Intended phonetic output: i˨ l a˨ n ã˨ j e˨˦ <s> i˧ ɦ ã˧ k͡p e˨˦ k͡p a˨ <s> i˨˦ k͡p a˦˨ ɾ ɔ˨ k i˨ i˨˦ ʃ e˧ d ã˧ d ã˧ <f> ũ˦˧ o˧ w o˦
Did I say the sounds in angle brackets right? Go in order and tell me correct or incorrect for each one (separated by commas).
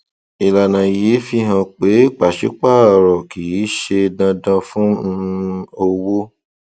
incorrect, incorrect, correct